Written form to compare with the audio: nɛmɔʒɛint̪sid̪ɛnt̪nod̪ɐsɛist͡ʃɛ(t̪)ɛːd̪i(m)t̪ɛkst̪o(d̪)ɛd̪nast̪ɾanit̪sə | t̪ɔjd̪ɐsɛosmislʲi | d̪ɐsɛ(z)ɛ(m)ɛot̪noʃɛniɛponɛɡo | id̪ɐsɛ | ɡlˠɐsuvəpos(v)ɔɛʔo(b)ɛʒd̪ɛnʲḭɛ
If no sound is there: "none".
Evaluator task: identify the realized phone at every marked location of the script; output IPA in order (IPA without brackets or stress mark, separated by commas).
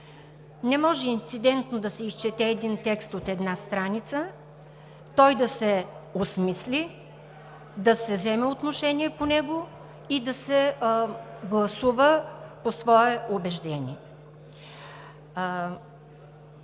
t̪, n, t̪, z, m, v, b